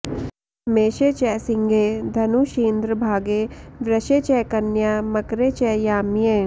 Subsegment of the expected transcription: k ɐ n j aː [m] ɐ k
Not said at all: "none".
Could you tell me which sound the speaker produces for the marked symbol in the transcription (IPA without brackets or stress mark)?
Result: m